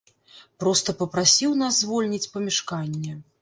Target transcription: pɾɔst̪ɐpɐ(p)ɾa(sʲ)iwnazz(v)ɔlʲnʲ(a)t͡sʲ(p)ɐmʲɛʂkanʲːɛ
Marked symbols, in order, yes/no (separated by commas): yes, yes, yes, no, yes